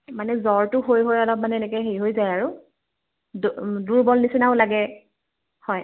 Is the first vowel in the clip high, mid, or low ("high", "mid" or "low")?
low